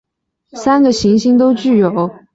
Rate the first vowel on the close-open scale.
open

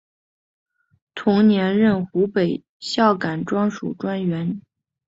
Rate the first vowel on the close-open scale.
close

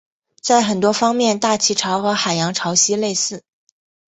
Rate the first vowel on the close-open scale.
open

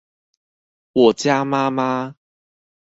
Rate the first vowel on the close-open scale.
mid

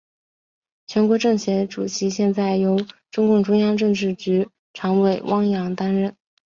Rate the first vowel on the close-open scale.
mid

